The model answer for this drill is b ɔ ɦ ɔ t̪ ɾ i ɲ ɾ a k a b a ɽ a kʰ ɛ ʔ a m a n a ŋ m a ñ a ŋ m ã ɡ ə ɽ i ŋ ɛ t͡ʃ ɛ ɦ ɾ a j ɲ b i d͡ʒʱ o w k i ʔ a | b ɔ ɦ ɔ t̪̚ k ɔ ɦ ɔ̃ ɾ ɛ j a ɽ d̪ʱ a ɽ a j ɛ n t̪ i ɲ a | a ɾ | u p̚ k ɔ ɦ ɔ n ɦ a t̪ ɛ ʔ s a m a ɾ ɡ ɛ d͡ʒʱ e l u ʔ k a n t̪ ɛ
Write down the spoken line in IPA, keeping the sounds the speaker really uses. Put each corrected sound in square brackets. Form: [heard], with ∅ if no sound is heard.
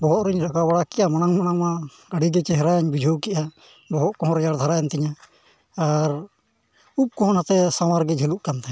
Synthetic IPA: b ɔ ɦ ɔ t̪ ɾ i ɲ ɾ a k a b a ɽ a [k] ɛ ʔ a m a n a ŋ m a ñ a ŋ m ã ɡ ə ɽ i [ɡ] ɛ t͡ʃ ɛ ɦ ɾ a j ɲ b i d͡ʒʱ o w k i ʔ a | b ɔ ɦ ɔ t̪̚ k ɔ ɦ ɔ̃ ɾ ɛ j a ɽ d̪ʱ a [ɾ] a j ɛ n t̪ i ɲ a | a ɾ | u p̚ k ɔ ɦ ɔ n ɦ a t̪ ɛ [∅] s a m a ɾ ɡ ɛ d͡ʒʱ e l u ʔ k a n t̪ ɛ